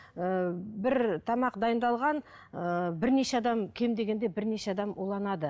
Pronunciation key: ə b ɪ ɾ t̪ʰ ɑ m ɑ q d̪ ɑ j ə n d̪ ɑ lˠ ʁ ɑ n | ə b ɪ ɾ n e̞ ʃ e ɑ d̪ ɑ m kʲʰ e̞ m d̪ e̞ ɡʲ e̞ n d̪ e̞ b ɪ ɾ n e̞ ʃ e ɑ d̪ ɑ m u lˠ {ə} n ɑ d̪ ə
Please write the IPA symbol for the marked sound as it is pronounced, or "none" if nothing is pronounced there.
ɑ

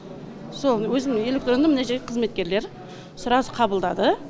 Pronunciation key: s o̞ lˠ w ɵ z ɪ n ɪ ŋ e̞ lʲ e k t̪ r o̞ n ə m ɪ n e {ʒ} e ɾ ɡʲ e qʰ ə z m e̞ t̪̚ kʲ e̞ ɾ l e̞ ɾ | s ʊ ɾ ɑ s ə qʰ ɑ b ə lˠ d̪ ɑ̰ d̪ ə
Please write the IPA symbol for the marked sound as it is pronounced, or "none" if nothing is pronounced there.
ʒ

